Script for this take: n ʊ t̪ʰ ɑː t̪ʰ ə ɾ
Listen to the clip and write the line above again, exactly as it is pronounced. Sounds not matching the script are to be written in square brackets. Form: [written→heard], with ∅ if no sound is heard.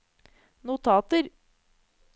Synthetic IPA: n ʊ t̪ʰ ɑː [t̪ʰ→t̪] ə ɾ